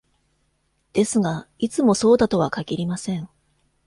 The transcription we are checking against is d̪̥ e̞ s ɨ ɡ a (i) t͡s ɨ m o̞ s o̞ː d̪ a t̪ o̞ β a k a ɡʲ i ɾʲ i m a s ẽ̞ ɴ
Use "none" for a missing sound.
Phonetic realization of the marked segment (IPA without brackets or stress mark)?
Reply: i